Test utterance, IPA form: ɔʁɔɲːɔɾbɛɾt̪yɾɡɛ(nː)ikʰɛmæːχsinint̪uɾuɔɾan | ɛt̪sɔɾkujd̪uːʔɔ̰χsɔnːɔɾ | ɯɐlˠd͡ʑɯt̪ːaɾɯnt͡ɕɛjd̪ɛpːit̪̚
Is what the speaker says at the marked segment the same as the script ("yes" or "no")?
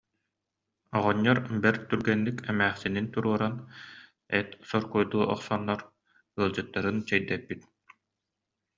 yes